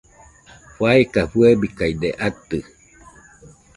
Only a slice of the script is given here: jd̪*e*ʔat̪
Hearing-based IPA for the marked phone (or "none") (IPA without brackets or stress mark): e